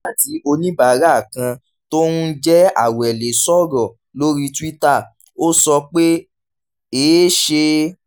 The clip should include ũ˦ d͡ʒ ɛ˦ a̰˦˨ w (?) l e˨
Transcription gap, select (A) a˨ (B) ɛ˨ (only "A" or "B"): B